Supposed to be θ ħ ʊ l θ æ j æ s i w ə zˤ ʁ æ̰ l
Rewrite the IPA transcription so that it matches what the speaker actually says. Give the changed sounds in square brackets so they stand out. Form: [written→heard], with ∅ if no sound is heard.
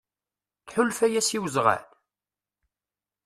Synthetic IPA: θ ħ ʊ l [θ→f] æ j æ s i w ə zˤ ʁ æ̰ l